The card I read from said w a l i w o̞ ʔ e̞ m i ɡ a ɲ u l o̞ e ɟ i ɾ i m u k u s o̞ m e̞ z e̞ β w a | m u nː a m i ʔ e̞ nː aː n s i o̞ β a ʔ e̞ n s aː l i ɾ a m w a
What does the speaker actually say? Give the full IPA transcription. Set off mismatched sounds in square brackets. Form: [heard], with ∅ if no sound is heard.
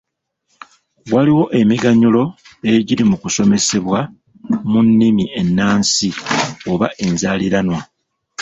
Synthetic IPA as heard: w a l i w o̞ ʔ e̞ m i ɡ a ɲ u l o̞ e ɟ i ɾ i m u k u s o̞ m e̞ [s] e̞ β w a | m u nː [i] m i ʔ e̞ nː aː n s i o̞ β a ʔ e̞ n [z] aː l i ɾ a [n] w a